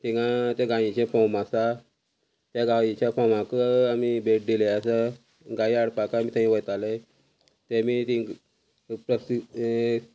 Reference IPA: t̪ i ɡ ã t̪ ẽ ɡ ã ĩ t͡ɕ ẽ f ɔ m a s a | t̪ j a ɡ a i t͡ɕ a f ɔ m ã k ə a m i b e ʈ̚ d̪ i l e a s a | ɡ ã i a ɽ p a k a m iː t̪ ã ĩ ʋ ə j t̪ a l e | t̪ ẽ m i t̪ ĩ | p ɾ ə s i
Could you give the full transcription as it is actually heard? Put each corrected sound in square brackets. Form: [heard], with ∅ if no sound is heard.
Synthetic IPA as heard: t̪ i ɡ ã t̪ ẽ ɡ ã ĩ t͡ɕ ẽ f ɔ m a s a | t̪ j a ɡ a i t͡ɕ a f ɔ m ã k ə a m i b e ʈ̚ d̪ i l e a s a | ɡ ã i a ɽ p a k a m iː t̪ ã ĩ ʋ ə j t̪ a l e | t̪ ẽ m i t̪ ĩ | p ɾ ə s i